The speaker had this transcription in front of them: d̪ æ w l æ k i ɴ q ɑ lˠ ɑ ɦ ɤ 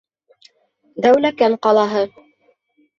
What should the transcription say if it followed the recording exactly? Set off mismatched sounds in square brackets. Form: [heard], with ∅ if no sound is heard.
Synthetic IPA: d̪ æ w l æ k [æ] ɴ q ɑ lˠ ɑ ɦ ɤ

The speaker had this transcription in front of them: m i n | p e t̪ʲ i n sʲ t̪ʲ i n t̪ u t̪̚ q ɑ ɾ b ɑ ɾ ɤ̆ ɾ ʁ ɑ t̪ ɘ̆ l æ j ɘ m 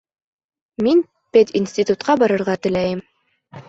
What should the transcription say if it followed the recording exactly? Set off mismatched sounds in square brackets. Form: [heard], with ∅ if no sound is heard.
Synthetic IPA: m i n | p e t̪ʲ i n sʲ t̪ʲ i [∅] t̪ u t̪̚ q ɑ [∅] b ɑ ɾ ɤ̆ ɾ ʁ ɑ t̪ ɘ̆ l æ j ɘ m

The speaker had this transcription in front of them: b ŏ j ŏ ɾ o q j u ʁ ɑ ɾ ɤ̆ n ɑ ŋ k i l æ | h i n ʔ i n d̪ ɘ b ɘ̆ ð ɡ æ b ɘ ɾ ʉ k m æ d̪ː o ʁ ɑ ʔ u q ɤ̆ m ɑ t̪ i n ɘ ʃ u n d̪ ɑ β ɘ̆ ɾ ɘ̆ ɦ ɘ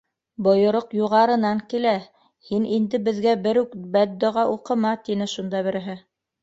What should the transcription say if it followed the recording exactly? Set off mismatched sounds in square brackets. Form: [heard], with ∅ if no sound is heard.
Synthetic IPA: b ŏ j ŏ ɾ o q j u ʁ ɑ ɾ ɤ̆ n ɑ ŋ k i l æ | h i n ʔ i n d̪ ɘ b ɘ̆ ð ɡ æ b ɘ ɾ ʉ k [b] æ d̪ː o ʁ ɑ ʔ u q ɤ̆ m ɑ t̪ i n ɘ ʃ u n d̪ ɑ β ɘ̆ ɾ ɘ̆ ɦ ɘ

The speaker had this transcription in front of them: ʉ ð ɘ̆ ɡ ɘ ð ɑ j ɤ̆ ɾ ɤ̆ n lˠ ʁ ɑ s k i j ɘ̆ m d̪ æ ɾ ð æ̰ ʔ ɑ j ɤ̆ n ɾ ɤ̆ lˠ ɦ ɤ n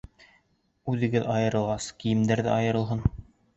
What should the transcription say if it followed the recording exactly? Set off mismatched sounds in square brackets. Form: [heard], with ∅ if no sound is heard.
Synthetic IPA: ʉ ð ɘ̆ ɡ ɘ ð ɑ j ɤ̆ ɾ ɤ̆ [∅] lˠ ʁ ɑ s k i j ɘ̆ m d̪ æ ɾ ð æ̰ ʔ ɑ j ɤ̆ [∅] ɾ ɤ̆ lˠ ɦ ɤ n

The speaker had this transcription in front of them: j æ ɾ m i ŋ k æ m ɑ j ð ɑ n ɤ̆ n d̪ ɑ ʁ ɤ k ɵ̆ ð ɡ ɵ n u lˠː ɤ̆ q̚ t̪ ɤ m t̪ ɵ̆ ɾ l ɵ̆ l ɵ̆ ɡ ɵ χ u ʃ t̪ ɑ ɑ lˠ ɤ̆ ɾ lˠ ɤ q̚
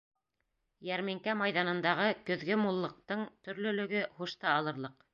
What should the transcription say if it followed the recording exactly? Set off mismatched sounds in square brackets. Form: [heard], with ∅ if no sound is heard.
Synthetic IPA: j æ ɾ m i ŋ k æ m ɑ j ð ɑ n ɤ̆ n d̪ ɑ ʁ ɤ k ɵ̆ ð ɡ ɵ [m] u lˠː ɤ̆ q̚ t̪ ɤ [ɴ] t̪ ɵ̆ ɾ l ɵ̆ l ɵ̆ ɡ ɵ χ u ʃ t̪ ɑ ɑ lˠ ɤ̆ ɾ lˠ ɤ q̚

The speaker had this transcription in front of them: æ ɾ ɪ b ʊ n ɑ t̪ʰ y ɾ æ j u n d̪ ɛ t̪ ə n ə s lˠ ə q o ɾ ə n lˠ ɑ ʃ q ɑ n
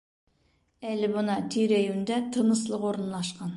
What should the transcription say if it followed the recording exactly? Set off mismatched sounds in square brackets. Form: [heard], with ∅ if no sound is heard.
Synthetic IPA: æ [l] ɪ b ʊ n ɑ t̪ʰ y ɾ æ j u n d̪ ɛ [t̪ʰ] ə n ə s lˠ ə q o ɾ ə n lˠ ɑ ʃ q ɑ n

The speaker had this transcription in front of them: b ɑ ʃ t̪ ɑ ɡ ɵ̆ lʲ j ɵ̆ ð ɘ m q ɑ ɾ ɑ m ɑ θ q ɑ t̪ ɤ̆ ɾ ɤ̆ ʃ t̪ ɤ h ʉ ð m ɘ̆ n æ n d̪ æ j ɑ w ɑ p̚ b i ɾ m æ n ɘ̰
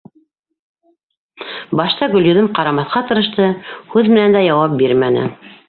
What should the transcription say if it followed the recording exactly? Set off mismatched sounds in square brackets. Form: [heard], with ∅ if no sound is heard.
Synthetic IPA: b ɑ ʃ t̪ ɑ ɡ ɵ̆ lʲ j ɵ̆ ð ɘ m q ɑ ɾ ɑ m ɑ θ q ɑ t̪ ɤ̆ ɾ ɤ̆ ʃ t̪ ɤ h ʉ ð m ɘ̆ n æ n d̪ æ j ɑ w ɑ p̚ b i ɾ m æ n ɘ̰

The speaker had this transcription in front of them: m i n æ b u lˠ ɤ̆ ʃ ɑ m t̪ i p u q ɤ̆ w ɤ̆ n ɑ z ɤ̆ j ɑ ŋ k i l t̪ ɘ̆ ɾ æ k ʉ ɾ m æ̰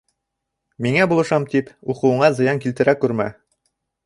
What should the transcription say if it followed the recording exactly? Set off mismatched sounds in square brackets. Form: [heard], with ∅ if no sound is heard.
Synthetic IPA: m i [ŋ] æ b u lˠ ɤ̆ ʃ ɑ m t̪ i p u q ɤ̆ w ɤ̆ [ɴ] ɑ z ɤ̆ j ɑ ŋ k i l t̪ ɘ̆ ɾ æ k ʉ ɾ m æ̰

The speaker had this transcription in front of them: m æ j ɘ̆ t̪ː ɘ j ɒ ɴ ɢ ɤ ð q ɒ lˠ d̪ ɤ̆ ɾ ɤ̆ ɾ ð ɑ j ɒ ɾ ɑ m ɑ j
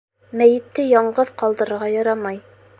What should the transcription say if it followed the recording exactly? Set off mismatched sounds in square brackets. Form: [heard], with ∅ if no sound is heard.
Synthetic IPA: m æ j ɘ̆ t̪ː ɘ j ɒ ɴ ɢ ɤ ð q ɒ lˠ d̪ ɤ̆ ɾ ɤ̆ ɾ [ʁ] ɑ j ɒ ɾ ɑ m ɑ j

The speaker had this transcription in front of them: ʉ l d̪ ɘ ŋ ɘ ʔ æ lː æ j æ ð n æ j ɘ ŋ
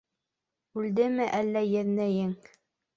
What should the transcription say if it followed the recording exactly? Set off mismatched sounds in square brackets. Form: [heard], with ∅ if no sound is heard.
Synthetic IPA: ʉ l d̪ ɘ [m] ɘ ʔ æ lː æ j æ ð n æ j ɘ ŋ

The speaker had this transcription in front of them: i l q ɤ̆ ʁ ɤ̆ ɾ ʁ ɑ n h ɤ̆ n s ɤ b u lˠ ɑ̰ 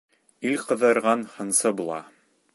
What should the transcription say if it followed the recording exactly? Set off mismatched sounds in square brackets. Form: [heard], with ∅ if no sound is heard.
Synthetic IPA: i l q ɤ̆ [ð] ɤ̆ ɾ ʁ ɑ n h ɤ̆ n s ɤ b u lˠ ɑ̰

